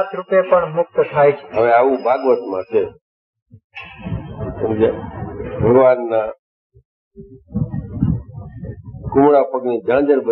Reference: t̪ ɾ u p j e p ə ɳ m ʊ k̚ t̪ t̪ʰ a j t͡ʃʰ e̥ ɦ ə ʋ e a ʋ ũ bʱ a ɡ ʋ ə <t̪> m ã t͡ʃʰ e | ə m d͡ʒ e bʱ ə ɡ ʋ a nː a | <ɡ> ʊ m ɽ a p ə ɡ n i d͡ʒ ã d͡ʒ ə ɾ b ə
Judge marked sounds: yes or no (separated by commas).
yes, no